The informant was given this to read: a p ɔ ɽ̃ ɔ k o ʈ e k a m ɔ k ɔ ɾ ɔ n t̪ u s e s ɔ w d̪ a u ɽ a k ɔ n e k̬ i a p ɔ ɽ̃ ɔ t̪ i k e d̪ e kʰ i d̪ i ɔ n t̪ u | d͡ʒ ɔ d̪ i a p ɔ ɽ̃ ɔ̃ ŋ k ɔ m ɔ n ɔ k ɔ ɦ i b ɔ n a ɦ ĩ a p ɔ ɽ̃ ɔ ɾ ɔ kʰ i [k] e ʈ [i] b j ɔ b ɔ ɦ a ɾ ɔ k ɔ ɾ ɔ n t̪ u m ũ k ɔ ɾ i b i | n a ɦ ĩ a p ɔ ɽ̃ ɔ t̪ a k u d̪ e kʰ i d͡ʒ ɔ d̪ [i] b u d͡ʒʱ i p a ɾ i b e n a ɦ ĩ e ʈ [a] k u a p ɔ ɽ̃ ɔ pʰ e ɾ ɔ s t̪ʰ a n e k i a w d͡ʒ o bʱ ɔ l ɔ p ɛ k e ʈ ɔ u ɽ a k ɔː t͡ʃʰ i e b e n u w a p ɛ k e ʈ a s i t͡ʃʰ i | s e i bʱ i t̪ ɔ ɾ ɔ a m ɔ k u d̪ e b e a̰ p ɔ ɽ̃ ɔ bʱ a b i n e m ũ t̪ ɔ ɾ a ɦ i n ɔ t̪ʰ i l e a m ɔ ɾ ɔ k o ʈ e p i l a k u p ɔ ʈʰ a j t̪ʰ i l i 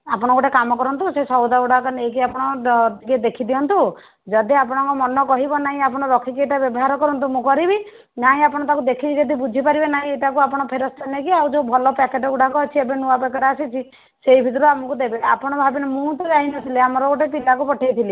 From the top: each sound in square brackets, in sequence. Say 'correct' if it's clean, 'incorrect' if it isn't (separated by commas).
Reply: correct, incorrect, correct, correct